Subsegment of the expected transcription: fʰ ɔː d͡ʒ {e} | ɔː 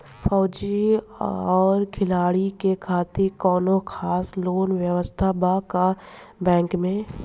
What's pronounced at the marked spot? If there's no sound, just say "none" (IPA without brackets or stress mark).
i